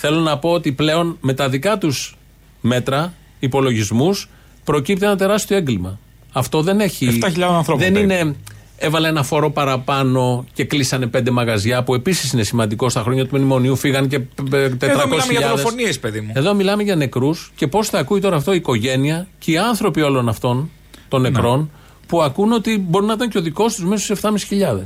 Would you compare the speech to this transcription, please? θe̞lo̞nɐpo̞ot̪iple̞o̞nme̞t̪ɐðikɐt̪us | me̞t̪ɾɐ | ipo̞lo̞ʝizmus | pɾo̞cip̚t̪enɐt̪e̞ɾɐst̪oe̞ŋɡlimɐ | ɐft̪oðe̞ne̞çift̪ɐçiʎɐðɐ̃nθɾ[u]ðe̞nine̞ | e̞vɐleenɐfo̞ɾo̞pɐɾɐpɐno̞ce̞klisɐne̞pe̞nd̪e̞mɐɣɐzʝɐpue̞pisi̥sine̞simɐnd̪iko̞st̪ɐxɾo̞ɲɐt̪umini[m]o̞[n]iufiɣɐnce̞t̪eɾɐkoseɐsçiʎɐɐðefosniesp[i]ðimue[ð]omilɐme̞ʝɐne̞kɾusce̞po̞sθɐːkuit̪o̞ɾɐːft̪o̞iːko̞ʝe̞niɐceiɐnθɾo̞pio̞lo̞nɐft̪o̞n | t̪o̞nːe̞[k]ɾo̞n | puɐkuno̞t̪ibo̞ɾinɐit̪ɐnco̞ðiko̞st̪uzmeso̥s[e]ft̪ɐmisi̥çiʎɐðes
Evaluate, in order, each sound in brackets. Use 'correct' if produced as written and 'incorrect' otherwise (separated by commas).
incorrect, correct, correct, incorrect, correct, correct, correct